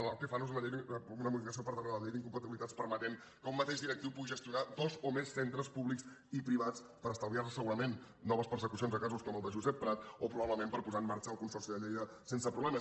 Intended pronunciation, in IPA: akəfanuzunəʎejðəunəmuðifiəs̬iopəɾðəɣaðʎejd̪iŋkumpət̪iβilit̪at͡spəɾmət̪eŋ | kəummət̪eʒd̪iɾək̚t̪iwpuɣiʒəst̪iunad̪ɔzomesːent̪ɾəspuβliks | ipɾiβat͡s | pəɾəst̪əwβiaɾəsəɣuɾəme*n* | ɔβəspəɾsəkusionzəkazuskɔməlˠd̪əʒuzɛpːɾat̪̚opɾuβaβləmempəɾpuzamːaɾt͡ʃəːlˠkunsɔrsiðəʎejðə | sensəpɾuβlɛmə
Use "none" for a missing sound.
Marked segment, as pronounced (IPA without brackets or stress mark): nː